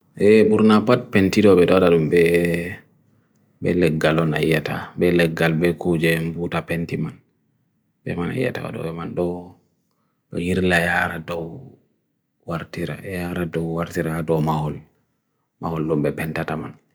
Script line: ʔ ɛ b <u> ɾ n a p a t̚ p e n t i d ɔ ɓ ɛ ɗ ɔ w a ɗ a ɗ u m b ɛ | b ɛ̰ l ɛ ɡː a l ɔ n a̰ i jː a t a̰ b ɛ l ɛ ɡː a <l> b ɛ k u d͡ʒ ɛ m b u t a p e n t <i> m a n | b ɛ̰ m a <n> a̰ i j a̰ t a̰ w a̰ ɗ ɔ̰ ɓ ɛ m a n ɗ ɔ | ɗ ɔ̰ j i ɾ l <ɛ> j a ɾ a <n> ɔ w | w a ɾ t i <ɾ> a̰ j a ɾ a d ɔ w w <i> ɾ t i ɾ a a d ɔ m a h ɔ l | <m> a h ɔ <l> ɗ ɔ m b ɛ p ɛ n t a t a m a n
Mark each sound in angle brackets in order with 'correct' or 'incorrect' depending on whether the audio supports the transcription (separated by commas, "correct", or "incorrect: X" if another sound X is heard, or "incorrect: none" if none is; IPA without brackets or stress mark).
correct, correct, correct, correct, incorrect: a, incorrect: d, correct, incorrect: a, correct, correct